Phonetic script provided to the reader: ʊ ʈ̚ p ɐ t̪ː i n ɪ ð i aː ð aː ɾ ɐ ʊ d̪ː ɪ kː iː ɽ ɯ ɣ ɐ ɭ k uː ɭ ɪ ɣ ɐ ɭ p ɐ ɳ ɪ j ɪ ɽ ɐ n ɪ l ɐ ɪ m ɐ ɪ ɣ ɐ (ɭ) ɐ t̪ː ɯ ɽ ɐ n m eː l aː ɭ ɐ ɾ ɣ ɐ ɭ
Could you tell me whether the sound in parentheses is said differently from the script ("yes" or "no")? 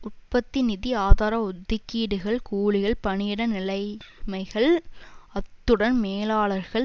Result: no